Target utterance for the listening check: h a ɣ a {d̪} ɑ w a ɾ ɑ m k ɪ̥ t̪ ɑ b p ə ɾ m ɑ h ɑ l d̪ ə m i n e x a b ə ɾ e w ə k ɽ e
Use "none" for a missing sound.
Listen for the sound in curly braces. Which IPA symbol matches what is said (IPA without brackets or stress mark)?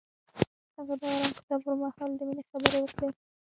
d̪